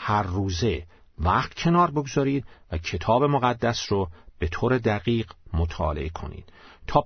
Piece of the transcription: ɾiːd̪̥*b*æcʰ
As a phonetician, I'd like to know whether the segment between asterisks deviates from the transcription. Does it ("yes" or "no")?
yes